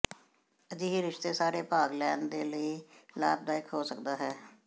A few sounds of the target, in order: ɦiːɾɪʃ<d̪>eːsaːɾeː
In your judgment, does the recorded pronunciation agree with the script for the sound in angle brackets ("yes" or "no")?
no